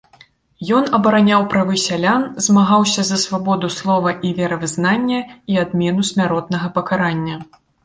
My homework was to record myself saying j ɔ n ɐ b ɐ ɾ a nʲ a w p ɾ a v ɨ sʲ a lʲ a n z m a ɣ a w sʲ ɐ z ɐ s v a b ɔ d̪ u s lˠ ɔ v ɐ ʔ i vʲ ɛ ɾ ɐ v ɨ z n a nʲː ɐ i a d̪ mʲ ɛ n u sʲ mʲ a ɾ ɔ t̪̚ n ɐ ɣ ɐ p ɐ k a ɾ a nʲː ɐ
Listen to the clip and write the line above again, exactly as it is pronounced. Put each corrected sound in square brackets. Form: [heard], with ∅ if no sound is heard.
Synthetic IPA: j ɔ n ɐ b ɐ ɾ a nʲ a w p ɾ a v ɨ sʲ a lʲ a n z m a ɣ a w sʲ ɐ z ɐ s v a b ɔ d̪ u s lˠ ɔ v ɐ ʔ i vʲ ɛ ɾ ɐ v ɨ z n a nʲː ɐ i a d̪ mʲ ɛ n u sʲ mʲ a ɾ ɔ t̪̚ n ɐ ɣ ɐ p ɐ k a ɾ a nʲː ɐ